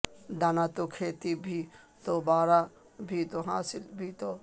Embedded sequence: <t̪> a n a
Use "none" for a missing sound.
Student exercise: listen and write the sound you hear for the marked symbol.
d̪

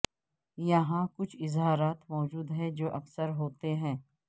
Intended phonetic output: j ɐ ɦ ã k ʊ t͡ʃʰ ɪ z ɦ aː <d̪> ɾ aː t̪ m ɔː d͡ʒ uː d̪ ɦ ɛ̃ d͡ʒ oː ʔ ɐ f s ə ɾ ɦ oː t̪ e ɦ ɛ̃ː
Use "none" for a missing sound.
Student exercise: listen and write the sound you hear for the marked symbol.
none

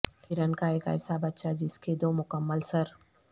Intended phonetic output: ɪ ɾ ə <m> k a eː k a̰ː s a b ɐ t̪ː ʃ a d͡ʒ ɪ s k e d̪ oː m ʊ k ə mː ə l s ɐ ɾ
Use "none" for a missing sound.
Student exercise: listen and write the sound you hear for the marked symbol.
n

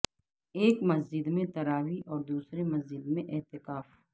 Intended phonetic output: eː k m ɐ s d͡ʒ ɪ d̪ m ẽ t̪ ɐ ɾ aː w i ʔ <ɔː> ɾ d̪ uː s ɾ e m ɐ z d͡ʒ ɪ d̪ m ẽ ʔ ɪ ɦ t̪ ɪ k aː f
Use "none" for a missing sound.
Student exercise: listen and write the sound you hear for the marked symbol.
ɔː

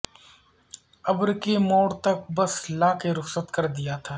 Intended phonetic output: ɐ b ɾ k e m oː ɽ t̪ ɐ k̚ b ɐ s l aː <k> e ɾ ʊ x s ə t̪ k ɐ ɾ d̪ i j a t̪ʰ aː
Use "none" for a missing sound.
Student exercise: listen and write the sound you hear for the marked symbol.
k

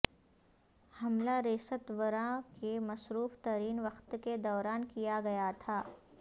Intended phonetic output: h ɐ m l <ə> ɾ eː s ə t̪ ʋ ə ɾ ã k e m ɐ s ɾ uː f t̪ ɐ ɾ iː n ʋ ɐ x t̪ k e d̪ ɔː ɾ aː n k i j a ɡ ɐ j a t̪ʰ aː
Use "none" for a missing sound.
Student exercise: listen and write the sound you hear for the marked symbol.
a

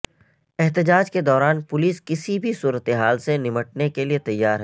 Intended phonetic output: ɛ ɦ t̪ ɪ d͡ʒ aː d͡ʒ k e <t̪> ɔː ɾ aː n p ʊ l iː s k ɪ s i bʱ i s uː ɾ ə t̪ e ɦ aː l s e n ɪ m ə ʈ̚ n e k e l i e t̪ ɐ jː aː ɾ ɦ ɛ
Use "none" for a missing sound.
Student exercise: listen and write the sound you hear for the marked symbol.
d̪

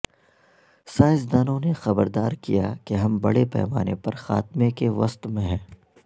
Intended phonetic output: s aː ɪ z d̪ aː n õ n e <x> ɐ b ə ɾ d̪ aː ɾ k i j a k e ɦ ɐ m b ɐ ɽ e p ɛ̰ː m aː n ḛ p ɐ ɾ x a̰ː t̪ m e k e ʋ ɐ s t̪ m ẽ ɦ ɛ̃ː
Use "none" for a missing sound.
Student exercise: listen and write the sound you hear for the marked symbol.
x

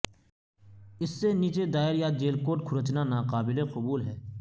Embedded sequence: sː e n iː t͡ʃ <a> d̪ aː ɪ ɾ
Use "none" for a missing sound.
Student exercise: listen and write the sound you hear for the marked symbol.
e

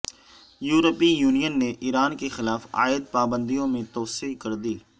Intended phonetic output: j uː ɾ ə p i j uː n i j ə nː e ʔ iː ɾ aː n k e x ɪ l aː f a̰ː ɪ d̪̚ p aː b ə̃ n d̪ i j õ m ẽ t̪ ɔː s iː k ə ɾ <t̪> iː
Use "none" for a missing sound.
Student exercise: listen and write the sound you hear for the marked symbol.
d̪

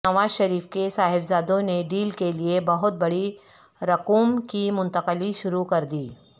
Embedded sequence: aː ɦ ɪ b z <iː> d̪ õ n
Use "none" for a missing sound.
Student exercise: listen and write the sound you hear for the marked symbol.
aː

